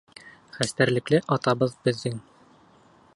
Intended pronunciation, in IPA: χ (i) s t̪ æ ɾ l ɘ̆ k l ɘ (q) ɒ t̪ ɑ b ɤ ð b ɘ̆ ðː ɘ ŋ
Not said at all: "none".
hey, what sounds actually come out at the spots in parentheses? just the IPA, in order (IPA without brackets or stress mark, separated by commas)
æ, ʔ